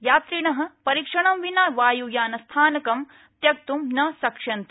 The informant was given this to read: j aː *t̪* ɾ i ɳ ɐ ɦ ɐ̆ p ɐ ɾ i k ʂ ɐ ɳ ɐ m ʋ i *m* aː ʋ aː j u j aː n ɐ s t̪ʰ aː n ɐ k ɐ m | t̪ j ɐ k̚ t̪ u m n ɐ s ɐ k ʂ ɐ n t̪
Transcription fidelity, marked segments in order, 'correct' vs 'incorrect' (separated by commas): correct, incorrect